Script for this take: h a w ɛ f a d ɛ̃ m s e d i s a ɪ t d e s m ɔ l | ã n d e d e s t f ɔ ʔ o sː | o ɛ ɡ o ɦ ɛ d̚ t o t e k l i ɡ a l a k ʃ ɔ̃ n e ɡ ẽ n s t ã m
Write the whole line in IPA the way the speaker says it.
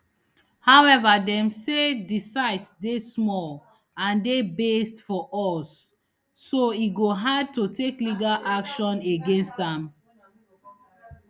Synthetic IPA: h a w ɛ v a d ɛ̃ m s e d i s a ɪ t d e s m ɔ l | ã n d e b e s t f ɔ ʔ ɔ sː | o i ɡ o ɦ a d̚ t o t e k l i ɡ a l a k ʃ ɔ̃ n e ɡ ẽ n s t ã m